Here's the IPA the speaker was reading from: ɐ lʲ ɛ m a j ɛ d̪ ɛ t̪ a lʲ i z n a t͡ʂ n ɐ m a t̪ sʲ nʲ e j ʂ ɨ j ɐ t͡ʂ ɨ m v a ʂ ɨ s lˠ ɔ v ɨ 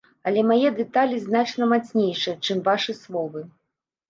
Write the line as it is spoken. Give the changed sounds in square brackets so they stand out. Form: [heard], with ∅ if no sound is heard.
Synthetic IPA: ɐ lʲ ɛ m a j ɛ d̪ ɛ t̪ a lʲ i z n a t͡ʂ n ɐ m a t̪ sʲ nʲ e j ʂ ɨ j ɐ t͡ʂ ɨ m v a ʂ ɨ s lˠ ɔ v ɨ